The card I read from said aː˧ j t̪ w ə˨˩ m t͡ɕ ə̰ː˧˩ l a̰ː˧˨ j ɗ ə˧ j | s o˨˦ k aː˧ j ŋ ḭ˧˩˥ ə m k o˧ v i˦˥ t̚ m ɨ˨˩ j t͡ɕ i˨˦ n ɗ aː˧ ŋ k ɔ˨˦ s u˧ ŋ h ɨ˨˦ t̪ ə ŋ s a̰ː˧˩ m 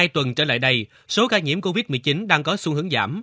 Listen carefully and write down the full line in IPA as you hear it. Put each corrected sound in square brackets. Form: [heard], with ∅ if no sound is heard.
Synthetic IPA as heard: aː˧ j t̪ w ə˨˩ [n] t͡ɕ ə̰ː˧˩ l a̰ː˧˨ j ɗ ə˧ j | s o˨˦ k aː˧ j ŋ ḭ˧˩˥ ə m k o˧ v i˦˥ t̚ m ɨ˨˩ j t͡ɕ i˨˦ n ɗ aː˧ ŋ k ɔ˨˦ s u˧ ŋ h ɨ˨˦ [∅] ə ŋ [z] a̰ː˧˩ m